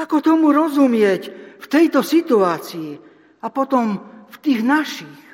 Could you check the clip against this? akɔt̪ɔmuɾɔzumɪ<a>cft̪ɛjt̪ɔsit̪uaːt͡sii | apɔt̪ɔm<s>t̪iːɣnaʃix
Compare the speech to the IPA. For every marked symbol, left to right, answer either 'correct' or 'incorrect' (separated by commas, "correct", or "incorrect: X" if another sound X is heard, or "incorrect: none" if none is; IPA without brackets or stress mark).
incorrect: ɛ, incorrect: f